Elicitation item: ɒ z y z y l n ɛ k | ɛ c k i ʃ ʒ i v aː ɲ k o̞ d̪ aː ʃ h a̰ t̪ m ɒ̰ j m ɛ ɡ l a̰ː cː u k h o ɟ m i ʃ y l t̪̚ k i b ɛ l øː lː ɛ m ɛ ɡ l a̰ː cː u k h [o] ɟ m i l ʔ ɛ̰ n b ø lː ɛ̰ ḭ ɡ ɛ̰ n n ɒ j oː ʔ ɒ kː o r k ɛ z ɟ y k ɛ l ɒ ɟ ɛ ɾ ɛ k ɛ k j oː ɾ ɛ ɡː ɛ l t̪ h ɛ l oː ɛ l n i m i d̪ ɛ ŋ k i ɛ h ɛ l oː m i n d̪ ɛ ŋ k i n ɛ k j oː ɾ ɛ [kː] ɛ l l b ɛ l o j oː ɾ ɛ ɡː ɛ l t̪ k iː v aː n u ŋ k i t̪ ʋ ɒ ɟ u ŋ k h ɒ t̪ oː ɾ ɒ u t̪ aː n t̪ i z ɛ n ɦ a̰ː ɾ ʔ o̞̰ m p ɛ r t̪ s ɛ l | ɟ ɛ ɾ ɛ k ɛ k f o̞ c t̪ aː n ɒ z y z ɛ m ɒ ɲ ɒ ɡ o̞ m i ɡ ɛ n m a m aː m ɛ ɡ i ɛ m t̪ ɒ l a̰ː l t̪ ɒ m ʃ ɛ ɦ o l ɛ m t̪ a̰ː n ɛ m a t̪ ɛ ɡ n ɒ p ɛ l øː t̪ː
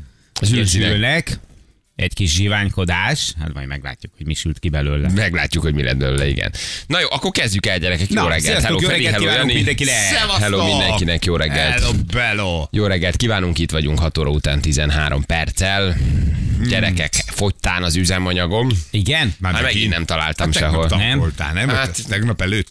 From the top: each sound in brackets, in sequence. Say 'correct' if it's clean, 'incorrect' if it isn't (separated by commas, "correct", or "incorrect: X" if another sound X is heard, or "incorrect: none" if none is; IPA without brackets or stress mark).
correct, incorrect: ɡː